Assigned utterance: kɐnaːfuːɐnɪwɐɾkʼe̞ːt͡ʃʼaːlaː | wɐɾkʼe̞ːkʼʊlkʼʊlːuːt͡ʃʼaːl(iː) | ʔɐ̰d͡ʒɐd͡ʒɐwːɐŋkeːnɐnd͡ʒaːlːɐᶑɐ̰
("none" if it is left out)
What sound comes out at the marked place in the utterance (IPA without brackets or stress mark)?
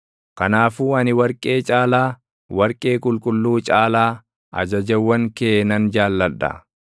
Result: aː